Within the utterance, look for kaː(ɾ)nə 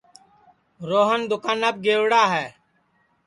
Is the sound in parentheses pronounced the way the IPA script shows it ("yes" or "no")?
no